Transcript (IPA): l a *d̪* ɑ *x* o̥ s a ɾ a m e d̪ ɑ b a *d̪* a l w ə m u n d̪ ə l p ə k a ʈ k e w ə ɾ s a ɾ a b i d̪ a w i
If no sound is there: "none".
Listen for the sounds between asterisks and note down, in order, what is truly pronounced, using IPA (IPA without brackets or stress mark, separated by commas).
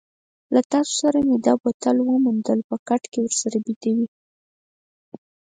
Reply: t̪, s, t̪